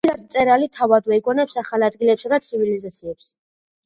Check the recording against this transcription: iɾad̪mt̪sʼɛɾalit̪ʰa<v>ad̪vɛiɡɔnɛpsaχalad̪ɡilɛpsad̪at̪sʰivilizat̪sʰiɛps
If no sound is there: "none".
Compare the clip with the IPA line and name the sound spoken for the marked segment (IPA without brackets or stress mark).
v